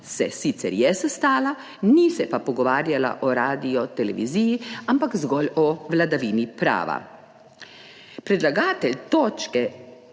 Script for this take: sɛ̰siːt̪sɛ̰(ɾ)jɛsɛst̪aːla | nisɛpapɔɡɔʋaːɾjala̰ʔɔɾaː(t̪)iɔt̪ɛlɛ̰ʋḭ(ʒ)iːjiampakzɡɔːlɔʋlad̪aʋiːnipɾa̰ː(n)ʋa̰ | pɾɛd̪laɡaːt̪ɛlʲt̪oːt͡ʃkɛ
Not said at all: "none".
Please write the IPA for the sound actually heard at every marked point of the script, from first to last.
ɾ, d̪, z, none

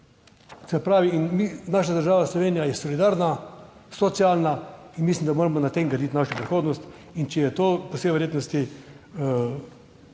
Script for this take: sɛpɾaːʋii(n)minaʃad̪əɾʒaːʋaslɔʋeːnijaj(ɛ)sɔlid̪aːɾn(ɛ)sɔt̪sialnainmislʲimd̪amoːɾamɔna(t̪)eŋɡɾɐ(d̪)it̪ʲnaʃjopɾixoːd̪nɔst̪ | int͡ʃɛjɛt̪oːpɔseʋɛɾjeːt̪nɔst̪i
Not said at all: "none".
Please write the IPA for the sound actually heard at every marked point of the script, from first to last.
n, ɛ, a, t̪, d̪

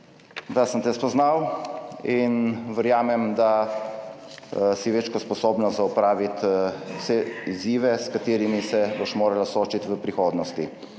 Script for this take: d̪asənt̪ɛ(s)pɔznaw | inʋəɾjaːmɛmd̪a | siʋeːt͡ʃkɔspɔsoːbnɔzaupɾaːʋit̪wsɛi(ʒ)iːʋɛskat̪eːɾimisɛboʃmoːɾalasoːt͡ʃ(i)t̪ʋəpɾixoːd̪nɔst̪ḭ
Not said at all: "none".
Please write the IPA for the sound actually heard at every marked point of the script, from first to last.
s, z, i

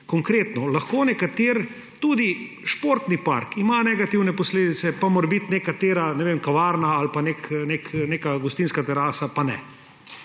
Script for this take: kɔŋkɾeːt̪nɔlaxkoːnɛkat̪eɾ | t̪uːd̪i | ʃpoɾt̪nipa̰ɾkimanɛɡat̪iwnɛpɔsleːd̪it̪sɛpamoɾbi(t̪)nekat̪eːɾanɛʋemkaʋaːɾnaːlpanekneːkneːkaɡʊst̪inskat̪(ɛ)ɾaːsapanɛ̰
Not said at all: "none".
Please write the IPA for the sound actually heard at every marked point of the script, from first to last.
t̪, ɛ

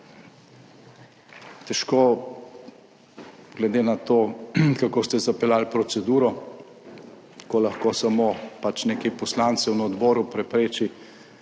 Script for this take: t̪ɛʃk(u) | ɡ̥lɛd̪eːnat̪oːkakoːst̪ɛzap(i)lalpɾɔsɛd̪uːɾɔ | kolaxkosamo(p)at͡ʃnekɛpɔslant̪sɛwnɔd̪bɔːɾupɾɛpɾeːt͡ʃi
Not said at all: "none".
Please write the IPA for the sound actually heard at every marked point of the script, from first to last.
o, ɛ, p

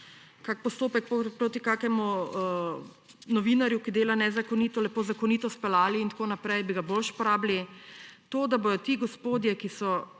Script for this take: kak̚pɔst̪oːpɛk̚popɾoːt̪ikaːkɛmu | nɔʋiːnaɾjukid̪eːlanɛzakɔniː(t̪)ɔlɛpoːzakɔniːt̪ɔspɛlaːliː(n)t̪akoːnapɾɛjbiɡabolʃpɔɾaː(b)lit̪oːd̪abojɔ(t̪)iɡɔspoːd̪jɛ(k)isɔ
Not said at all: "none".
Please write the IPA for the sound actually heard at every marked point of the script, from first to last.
t̪, n, b, t̪, k

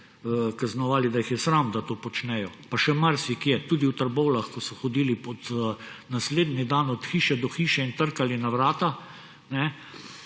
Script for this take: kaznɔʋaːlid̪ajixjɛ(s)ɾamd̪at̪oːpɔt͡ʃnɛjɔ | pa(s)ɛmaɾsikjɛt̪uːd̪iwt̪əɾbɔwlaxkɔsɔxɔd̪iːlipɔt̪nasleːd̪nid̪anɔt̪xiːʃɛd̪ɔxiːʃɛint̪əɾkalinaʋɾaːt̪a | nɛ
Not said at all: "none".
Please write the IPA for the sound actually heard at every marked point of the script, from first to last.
s, ʃ

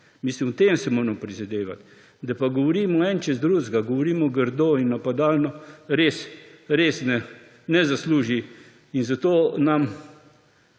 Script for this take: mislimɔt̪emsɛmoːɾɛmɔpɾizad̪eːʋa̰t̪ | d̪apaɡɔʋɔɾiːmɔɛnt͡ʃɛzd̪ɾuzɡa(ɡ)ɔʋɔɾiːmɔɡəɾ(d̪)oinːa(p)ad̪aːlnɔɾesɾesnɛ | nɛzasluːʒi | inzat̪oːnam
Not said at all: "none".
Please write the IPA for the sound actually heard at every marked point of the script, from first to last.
ɡ, d̪, p

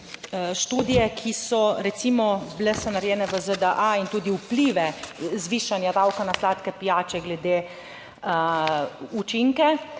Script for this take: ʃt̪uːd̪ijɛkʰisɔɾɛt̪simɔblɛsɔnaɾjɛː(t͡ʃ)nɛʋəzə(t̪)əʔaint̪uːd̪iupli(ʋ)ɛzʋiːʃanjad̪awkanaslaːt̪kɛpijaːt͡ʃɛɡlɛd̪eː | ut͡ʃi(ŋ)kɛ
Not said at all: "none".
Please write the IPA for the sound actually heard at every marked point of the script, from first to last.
none, d̪, ʋ, ŋ

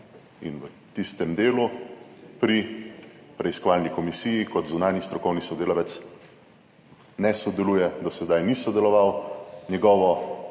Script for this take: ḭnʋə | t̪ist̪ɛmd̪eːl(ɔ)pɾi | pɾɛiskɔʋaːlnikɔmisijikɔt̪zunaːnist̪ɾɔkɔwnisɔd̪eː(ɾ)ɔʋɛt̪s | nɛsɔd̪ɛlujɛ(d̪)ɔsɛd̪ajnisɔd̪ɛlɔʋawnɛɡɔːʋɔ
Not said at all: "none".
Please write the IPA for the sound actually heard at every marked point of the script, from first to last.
u, l, d̪

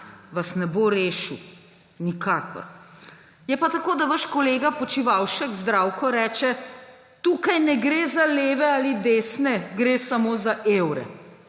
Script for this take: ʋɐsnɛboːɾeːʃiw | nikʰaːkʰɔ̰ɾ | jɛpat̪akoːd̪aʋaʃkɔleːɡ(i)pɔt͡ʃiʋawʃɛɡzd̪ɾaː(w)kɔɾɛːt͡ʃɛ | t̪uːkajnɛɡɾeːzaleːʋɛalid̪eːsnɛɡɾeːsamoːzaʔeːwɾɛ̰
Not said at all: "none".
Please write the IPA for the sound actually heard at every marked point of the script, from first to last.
a, w

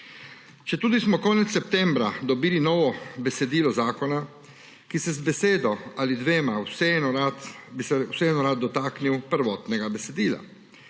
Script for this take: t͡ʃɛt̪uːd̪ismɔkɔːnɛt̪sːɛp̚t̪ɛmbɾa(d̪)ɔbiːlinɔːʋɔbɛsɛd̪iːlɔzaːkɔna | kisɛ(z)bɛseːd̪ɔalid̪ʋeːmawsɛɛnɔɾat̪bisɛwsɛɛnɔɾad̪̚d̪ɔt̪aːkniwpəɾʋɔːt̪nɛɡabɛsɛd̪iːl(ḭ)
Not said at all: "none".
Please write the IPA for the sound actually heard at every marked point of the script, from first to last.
d̪, z, a̰

